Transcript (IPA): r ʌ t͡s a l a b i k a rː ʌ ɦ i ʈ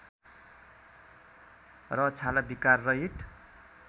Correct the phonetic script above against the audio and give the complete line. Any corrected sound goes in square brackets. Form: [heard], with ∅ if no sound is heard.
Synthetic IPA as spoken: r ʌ [t͡sʰ] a l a b i k a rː ʌ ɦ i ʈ

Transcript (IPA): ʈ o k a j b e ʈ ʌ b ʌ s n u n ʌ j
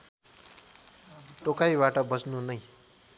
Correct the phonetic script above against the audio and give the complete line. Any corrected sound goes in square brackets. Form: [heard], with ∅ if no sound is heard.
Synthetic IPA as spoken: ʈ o k a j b [a] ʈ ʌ b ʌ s n u n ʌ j

